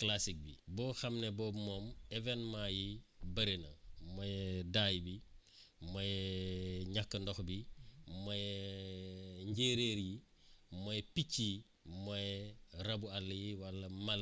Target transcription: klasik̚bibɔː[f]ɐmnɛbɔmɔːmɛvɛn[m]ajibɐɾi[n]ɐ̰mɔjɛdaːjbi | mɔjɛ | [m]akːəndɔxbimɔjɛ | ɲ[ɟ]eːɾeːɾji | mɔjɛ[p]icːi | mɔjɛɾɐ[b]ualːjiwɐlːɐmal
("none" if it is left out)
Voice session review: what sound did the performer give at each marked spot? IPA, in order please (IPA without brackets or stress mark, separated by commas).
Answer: x, m, n, ɲ, ɟ, p, b